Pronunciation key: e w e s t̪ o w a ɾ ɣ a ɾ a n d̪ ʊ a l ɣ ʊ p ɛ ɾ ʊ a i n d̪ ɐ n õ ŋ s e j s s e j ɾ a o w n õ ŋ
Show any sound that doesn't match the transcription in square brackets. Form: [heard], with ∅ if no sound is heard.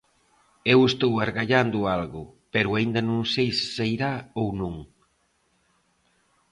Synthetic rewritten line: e w e s t̪ o w a ɾ ɣ a [ʎ] a n d̪ ʊ a l ɣ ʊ p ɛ ɾ ʊ a i n d̪ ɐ n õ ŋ s e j s s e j ɾ a o w n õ ŋ

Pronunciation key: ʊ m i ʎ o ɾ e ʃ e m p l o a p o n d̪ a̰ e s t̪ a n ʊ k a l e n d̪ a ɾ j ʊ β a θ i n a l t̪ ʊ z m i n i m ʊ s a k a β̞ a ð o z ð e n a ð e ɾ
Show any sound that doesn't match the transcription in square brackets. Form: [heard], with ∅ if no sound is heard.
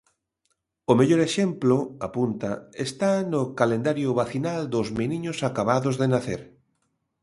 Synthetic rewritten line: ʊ m [e] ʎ o ɾ e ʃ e m p l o a p [u] n [t̪] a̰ e s t̪ a n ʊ k a l e n d̪ a ɾ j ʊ β a θ i n a l [d̪] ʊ z m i n i [ɲ] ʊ s a k a β̞ a ð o z ð e n a [θ] e ɾ

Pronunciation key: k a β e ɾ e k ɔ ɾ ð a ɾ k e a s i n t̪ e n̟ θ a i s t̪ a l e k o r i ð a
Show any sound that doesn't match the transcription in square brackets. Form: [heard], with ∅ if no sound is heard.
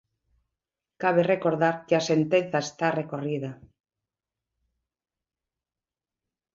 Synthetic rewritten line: k a β e [r] e k [o] ɾ ð a ɾ k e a s [e] n t̪ e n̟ θ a [e] s t̪ a [r] e k o r i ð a

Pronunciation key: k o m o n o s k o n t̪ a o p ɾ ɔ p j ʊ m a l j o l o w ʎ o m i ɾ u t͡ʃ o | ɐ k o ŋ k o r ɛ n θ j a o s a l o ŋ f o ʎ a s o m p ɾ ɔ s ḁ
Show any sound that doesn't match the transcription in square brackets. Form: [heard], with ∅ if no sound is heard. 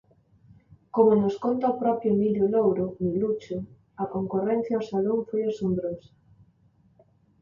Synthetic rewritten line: k o m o n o s k o n t̪ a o p ɾ ɔ p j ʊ m [i] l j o l o w [ɾ] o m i [l] u t͡ʃ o | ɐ k o ŋ k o r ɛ n θ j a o s a l o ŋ f o [j] a s o m [b] ɾ [o] s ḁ

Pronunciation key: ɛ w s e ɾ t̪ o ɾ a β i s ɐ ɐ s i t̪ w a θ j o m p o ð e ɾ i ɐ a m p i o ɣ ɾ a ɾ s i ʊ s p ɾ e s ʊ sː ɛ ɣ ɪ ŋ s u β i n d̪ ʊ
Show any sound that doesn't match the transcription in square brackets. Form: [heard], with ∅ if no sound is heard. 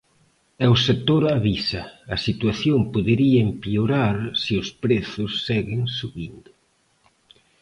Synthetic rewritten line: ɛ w s e [∅] t̪ o ɾ a β i s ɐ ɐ s i t̪ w a θ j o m p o ð e ɾ i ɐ [e] m p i o [∅] ɾ a ɾ s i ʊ s p ɾ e [θ] ʊ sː ɛ ɣ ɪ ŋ s u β i n d̪ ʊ

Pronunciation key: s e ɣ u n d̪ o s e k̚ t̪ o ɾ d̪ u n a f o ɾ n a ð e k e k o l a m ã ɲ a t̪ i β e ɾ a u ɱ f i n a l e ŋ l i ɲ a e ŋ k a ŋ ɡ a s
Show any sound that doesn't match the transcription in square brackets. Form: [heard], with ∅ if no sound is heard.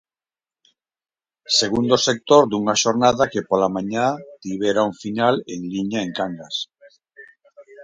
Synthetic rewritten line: s e ɣ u n d̪ o s e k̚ t̪ o ɾ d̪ u [ŋ] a [ʃ] o ɾ n a ð [a] k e [p] o l a m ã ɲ a t̪ i β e ɾ a u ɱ f i n a l e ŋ l i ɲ a e ŋ k a ŋ ɡ a s

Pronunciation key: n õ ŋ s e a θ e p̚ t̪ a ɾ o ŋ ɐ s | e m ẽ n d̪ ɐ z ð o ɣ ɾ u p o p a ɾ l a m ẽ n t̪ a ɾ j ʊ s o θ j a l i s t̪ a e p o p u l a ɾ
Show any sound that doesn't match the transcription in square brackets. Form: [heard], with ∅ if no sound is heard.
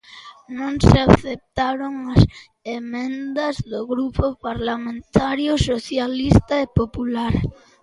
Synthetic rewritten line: n õ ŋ s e a θ e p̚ t̪ a ɾ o ŋ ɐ s | e m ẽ n d̪ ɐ z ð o ɣ ɾ u p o p a ɾ l a m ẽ n t̪ a ɾ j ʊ s o θ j a l i s t̪ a e p o p u l a ɾ

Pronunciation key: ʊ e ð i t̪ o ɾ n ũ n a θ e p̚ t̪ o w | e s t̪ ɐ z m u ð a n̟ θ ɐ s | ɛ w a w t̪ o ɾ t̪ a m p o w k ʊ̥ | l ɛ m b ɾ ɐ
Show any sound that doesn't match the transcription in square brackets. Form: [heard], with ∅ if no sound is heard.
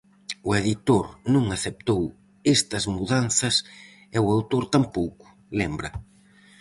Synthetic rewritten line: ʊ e ð i t̪ o ɾ n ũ [ŋ] a θ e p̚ t̪ o w | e s t̪ ɐ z m u ð a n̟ θ ɐ s | ɛ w a w t̪ o ɾ t̪ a m p o w k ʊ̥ | l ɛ m b ɾ ɐ

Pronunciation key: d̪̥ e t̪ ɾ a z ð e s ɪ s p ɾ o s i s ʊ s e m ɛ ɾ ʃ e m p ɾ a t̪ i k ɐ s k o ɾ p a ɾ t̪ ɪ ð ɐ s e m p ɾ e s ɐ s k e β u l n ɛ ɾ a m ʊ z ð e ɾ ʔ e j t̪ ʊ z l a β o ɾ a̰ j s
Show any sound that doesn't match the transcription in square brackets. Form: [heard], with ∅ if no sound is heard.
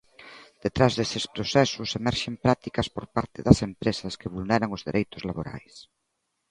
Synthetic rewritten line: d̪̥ e t̪ ɾ a z ð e s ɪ s p ɾ o s [ɛ] s ʊ s e m ɛ ɾ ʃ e m p ɾ a t̪ i k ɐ s [p] o ɾ p a ɾ t̪ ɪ ð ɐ s e m p ɾ e s ɐ s k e β u l n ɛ ɾ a [ŋ] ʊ z ð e ɾ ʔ e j t̪ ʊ z l a β o ɾ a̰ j s

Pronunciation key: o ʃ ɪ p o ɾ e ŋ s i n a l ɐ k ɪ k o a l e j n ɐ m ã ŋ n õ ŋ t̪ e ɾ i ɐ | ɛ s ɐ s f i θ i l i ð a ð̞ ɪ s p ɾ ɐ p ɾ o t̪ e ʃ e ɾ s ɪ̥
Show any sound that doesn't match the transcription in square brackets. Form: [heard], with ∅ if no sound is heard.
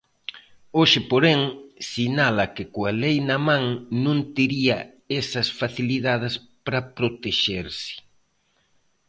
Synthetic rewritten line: o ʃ ɪ p o ɾ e ŋ s i n a l ɐ k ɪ k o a l e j n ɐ m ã ŋ n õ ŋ t̪ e ɾ i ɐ | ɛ s ɐ s f [a] θ i l i ð a ð̞ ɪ s p ɾ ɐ p ɾ o t̪ e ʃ e ɾ s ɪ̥

